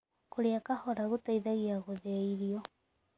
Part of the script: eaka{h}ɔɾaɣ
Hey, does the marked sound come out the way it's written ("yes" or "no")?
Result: yes